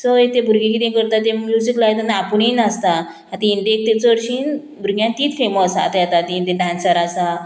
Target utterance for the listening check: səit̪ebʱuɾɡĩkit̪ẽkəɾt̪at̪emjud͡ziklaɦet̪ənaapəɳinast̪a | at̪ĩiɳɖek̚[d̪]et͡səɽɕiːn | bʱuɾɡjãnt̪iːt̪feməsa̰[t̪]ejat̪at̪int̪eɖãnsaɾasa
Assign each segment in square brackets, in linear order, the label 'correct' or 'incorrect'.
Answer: incorrect: t̪, correct

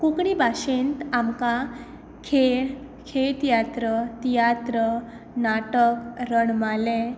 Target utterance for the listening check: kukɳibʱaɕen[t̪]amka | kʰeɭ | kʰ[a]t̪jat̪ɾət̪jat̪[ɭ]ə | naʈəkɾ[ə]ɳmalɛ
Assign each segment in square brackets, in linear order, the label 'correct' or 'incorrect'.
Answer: correct, incorrect: e, incorrect: ɾ, correct

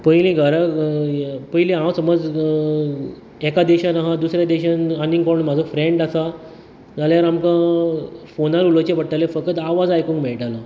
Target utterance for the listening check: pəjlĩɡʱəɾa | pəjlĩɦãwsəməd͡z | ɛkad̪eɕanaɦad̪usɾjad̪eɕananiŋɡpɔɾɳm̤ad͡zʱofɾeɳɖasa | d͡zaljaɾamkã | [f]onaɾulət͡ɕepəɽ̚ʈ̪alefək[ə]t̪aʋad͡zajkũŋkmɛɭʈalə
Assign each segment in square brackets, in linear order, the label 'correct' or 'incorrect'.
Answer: correct, correct

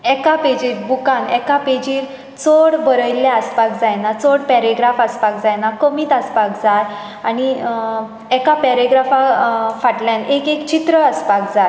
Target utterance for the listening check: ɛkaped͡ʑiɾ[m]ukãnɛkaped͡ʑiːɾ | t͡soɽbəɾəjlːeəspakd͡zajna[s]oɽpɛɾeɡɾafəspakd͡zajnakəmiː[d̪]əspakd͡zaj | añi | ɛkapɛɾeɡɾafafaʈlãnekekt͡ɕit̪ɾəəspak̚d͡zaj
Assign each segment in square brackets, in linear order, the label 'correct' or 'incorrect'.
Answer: incorrect: b, incorrect: t͡s, incorrect: t̪

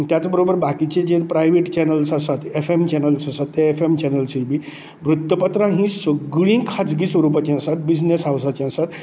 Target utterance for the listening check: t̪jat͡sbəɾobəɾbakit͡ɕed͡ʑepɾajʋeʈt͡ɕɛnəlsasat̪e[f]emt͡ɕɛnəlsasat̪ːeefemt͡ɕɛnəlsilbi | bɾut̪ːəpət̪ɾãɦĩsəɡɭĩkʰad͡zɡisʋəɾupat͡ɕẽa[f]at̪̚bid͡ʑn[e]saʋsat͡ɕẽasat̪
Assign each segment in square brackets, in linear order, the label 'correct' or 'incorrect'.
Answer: correct, incorrect: s, correct

